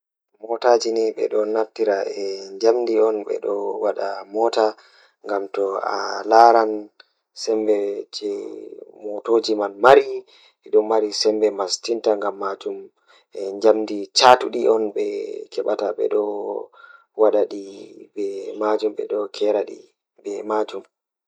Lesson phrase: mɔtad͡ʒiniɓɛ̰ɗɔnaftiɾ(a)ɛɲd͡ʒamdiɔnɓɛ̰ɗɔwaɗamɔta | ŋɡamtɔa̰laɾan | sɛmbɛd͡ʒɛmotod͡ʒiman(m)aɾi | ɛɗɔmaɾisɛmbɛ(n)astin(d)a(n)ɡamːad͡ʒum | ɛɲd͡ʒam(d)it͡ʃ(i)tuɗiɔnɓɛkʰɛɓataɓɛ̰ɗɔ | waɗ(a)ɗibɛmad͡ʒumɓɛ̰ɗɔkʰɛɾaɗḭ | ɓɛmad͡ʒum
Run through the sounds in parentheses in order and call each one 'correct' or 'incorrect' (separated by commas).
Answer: correct, correct, incorrect, incorrect, incorrect, correct, incorrect, correct